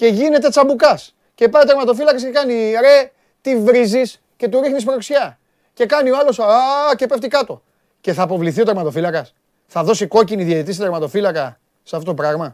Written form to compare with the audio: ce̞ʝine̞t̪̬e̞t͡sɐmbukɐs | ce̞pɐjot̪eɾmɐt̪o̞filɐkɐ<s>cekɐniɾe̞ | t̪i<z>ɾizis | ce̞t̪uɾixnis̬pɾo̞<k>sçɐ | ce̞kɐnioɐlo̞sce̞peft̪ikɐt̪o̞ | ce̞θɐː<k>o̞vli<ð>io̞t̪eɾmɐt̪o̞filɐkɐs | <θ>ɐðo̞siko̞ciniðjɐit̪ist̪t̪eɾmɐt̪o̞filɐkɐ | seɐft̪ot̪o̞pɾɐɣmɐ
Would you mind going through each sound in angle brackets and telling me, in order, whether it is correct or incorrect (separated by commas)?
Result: correct, incorrect, correct, incorrect, incorrect, correct